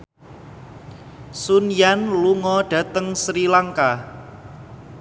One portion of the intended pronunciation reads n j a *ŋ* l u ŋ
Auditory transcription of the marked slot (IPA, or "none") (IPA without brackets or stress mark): n